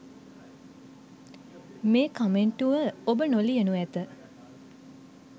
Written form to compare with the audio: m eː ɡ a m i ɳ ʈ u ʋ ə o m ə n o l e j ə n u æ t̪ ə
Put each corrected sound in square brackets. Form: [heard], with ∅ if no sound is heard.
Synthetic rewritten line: m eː [k] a m [e] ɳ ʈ u ʋ ə o [b] ə n o l [i] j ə n u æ t̪ ə

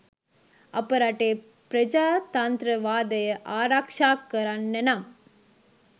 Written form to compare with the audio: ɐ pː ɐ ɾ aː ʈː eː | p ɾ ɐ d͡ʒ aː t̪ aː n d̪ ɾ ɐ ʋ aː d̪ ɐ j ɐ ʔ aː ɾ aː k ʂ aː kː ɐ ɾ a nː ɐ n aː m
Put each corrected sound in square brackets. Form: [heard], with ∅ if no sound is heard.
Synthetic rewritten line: ɐ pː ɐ ɾ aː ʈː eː | p ɾ ɐ d͡ʒ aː t̪ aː n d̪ ɾ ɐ ʋ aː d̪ ɐ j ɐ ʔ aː ɾ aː k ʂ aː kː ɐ ɾ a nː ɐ n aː m

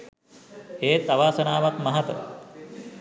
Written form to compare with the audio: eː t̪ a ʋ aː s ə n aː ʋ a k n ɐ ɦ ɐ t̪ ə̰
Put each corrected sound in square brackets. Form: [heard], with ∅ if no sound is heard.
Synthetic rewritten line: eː t̪ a ʋ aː s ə n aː ʋ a k [m] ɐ ɦ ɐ t̪ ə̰

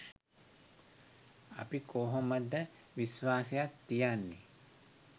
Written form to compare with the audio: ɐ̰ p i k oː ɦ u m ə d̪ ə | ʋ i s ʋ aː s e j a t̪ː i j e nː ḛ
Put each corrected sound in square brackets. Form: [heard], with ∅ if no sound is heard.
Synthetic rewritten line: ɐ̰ p i k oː ɦ [o] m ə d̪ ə | ʋ i s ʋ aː s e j a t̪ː i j [a] nː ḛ

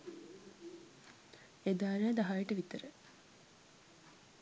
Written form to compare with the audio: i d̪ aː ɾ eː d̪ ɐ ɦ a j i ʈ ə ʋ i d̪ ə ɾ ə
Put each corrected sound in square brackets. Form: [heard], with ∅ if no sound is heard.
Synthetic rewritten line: [e] d̪ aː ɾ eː d̪ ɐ ɦ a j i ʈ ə ʋ i [t̪] ə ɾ ə

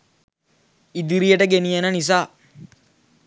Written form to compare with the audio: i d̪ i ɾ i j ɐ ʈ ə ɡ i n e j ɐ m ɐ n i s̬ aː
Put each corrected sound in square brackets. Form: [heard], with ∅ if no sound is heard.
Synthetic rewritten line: i d̪ i ɾ i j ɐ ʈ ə ɡ [e] n [i] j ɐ [n] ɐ n i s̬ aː

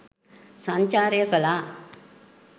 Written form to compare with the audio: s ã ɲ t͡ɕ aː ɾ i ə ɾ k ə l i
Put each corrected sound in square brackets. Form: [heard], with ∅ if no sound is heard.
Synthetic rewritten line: s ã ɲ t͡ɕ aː ɾ [j] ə [∅] k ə l [a]

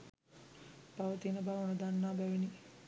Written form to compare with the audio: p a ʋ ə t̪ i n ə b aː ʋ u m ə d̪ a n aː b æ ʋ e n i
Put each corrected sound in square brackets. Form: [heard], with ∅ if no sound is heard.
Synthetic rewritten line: p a ʋ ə t̪ i n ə b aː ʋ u [n] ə d̪ a [nː] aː b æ ʋ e n i

